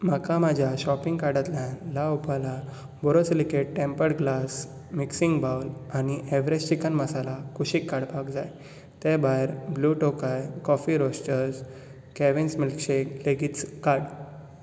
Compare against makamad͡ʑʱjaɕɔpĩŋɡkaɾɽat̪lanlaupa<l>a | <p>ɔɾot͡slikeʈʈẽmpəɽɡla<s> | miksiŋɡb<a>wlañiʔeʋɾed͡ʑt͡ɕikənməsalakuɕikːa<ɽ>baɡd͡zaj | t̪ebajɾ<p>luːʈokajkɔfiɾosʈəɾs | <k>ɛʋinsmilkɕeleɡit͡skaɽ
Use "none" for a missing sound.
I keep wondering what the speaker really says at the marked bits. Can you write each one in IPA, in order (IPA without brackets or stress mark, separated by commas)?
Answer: l, b, s, a, ɽ, b, k